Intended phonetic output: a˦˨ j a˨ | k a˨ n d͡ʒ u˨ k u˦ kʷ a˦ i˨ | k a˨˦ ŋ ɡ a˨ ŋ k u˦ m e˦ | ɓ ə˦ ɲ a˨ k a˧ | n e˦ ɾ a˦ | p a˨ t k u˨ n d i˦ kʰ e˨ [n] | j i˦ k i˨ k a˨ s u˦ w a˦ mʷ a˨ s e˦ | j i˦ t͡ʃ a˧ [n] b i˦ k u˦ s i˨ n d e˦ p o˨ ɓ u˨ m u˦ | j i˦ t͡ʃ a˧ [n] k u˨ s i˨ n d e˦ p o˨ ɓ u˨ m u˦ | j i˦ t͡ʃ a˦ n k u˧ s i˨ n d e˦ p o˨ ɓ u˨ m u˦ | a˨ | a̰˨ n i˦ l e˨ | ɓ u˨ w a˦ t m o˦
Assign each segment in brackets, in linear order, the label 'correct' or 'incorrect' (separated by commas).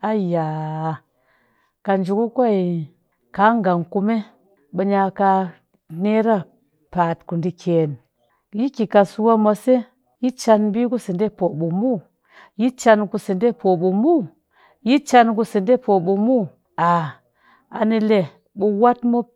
correct, correct, correct